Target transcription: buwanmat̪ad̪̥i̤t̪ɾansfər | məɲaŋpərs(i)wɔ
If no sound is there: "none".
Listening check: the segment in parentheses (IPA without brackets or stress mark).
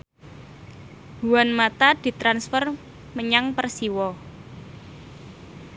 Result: i